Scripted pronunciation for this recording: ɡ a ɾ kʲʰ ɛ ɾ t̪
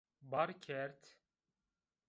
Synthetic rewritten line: b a ɾ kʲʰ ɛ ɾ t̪